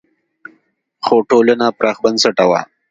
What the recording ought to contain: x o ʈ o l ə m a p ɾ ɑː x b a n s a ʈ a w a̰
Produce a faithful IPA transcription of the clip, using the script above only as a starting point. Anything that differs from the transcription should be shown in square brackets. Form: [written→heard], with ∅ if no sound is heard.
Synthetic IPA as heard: x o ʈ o l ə [m→n] a p ɾ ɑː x b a n s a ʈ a w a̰